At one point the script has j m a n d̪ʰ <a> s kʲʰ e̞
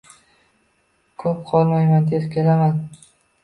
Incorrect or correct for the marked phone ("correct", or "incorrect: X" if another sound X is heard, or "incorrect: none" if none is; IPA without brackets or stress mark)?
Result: incorrect: e